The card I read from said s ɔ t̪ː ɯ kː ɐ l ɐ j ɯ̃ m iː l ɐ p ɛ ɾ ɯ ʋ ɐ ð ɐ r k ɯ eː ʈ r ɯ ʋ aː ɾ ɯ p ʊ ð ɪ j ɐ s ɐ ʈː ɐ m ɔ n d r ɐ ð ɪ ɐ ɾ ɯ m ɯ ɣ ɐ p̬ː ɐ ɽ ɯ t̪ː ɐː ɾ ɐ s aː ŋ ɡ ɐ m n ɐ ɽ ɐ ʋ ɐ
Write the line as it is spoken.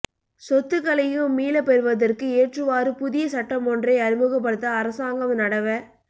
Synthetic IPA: s ɔ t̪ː ɯ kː ɐ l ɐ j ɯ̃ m iː l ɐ p ɛ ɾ ɯ ʋ ɐ ð ɐ r k ɯ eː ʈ r ɯ ʋ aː ɾ ɯ p ʊ ð ɪ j ɐ s ɐ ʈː ɐ m ɔ n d r ɐ ɪ ɐ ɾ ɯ m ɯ ɣ ɐ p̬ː ɐ ɽ ɯ t̪ː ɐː ɾ ɐ s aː ŋ ɡ ɐ m n ɐ ɽ ɐ ʋ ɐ